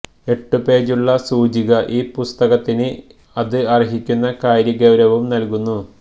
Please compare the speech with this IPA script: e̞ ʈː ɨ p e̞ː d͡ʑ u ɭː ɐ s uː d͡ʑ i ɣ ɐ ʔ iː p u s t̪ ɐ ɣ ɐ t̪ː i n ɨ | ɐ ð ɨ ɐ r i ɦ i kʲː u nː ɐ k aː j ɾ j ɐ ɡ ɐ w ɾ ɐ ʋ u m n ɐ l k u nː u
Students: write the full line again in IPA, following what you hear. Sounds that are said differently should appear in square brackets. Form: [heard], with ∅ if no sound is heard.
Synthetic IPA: e̞ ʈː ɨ p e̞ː d͡ʑ u ɭː ɐ s uː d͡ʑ i ɣ ɐ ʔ iː p u s t̪ ɐ ɣ ɐ t̪ː i n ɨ | ɐ ð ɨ ɐ r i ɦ i kʲː u nː ɐ k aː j ɾ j ɐ ɡ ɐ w ɾ ɐ ʋ u m n ɐ l k u nː u